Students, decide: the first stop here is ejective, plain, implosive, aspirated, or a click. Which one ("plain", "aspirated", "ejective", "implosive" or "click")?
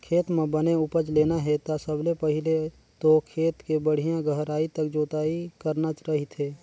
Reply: aspirated